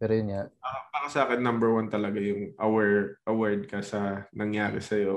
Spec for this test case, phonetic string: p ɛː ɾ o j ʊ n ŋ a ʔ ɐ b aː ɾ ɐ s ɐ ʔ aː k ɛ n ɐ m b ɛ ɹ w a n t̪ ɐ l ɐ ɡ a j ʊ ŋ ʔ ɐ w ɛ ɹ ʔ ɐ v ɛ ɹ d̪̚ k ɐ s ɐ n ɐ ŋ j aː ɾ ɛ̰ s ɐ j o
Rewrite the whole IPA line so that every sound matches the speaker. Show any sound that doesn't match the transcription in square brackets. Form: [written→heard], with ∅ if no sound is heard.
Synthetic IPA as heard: p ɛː ɾ o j ʊ n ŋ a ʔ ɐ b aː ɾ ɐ s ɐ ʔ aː k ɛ [n→nː] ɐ m b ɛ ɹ w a n t̪ ɐ l ɐ ɡ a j ʊ ŋ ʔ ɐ w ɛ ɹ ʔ ɐ [v→w] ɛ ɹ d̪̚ k ɐ s ɐ n ɐ ŋ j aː ɾ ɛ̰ s ɐ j o